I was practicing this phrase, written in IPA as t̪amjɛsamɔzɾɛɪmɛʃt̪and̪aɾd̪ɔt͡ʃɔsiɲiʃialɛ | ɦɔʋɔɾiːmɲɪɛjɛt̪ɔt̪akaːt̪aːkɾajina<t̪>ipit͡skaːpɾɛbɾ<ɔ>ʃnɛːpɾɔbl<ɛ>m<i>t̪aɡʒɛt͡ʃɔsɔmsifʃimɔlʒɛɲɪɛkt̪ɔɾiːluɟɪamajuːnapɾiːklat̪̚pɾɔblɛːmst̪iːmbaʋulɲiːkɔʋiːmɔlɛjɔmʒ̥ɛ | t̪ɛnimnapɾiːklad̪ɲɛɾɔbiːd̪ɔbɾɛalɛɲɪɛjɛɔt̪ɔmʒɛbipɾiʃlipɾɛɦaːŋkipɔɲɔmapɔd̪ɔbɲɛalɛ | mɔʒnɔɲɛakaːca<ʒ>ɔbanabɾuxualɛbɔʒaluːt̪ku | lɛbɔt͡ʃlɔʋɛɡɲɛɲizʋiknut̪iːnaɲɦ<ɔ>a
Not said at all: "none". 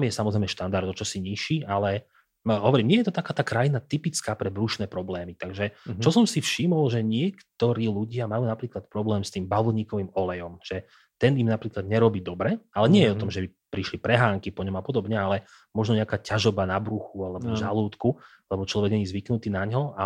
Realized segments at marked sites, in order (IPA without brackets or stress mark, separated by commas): t̪, u, ɛː, i, ʒ, ɔ